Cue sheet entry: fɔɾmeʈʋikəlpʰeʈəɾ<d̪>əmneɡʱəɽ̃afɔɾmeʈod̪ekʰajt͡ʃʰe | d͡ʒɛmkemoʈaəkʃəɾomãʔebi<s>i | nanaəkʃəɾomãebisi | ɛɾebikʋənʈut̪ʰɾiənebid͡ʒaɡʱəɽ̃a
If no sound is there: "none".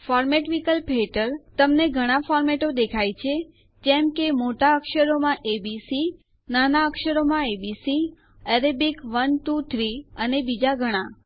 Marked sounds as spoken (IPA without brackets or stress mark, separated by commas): t̪, s